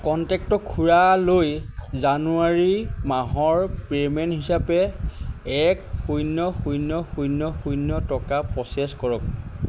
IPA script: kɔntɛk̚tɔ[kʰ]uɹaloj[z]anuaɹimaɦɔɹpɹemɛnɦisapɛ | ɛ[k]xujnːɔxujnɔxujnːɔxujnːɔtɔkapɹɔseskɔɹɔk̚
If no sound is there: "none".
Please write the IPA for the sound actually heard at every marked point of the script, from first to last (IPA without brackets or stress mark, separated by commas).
kʰ, z, k